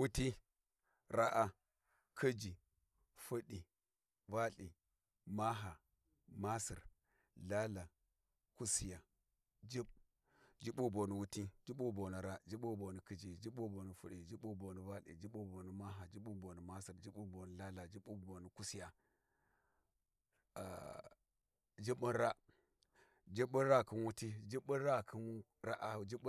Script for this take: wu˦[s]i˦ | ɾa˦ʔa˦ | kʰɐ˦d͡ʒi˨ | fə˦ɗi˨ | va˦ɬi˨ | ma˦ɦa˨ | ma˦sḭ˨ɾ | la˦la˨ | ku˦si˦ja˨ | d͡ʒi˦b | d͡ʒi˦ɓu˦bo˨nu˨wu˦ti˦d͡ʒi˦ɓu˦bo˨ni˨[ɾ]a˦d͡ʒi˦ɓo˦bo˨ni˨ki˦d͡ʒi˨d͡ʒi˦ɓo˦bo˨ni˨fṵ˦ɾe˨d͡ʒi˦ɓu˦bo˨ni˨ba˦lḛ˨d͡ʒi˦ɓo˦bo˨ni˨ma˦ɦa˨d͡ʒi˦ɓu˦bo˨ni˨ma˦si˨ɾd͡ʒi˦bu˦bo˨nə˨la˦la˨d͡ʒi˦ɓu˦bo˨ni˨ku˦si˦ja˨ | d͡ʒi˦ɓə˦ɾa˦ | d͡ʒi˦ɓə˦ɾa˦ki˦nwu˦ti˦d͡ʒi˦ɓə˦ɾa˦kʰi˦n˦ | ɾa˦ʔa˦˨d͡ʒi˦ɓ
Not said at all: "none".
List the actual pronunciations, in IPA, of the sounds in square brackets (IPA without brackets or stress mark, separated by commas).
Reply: t, ɾ